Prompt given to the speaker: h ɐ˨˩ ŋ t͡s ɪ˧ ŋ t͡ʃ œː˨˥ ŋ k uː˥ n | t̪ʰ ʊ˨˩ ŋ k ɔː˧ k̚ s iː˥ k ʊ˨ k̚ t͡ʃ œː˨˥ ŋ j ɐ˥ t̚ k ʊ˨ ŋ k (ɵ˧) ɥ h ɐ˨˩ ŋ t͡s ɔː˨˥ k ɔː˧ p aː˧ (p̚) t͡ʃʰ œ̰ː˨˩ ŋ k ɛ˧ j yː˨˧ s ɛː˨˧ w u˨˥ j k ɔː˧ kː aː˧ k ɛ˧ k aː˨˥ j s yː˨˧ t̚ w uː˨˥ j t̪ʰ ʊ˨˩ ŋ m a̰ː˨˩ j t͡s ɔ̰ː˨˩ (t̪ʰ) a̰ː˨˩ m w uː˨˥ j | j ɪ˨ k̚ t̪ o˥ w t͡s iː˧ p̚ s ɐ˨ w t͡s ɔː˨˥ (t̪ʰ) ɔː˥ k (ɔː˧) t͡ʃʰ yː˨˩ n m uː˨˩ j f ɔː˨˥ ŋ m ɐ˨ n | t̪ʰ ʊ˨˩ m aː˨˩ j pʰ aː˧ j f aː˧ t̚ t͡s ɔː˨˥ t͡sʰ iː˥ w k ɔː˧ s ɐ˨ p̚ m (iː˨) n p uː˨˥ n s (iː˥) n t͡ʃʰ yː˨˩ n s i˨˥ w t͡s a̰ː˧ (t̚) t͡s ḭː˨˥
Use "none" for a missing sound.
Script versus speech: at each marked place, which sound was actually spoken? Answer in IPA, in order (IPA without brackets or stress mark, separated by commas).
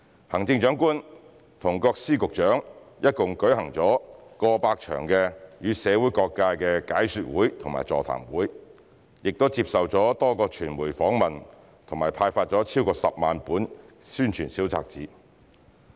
ɵ˨˥, k̚, t̪ʰ, t̪, ɔː˧, aː˨, yː˥, k̚